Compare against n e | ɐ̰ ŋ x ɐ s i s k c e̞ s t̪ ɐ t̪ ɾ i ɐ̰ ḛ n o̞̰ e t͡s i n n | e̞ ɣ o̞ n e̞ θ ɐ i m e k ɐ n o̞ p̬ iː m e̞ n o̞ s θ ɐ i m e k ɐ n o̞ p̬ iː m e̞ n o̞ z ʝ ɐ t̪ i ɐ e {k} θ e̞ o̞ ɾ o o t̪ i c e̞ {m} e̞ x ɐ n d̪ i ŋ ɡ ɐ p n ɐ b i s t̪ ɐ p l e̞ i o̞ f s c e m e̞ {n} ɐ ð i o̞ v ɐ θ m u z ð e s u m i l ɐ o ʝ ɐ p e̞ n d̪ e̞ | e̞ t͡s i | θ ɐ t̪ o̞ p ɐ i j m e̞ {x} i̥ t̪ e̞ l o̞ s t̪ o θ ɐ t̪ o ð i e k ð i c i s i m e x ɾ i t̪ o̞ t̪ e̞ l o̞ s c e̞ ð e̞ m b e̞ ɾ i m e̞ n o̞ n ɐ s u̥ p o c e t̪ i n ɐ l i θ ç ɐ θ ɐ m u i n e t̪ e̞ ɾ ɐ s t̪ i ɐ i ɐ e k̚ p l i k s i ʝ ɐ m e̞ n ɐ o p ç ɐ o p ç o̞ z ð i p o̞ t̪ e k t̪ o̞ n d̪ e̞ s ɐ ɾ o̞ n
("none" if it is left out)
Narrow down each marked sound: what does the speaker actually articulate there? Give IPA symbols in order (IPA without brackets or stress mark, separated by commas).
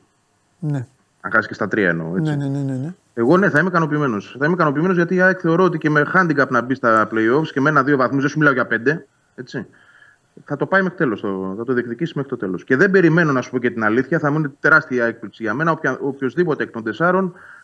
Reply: k, m, n, x